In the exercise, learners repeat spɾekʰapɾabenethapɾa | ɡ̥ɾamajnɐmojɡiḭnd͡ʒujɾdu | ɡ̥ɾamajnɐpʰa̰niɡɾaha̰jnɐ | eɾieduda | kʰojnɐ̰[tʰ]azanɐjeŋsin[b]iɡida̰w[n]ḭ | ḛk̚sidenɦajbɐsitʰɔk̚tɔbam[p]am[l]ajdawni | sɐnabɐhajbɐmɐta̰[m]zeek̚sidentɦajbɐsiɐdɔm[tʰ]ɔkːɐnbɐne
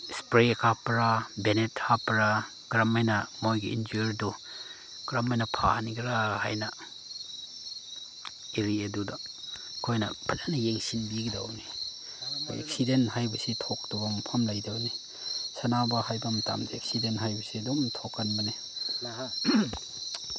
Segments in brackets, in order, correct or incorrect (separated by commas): incorrect, correct, correct, incorrect, correct, correct, correct